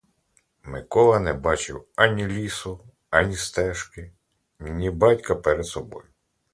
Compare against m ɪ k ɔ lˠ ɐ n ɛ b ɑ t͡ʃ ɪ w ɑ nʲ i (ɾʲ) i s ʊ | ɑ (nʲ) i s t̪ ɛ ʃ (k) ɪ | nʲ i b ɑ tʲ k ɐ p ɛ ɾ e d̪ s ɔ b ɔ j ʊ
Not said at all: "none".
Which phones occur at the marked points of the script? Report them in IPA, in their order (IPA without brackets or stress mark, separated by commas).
lʲ, nʲ, k